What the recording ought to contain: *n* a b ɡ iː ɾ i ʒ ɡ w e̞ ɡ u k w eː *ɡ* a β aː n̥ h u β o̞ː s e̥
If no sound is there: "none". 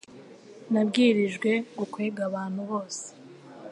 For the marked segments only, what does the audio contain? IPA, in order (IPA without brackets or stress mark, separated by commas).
n, ɡ